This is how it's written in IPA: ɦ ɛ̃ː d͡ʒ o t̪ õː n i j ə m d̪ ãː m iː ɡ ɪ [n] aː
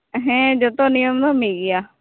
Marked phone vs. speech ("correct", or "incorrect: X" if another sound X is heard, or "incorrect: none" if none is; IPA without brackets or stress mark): incorrect: none